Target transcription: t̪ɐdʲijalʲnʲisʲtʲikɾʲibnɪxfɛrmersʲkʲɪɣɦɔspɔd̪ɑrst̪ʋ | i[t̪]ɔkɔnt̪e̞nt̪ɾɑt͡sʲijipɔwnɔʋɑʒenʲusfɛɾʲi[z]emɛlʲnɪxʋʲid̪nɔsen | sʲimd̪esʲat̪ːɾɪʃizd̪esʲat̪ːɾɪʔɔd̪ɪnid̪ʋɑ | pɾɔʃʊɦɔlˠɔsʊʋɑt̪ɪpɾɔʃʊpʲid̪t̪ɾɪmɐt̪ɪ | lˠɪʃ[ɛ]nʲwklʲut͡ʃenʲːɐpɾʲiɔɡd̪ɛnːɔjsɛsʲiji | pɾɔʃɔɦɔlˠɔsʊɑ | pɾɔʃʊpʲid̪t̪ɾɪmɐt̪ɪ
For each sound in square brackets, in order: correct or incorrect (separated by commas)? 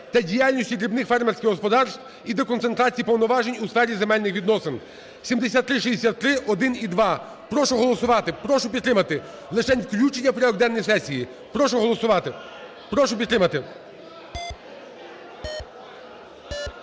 incorrect, correct, correct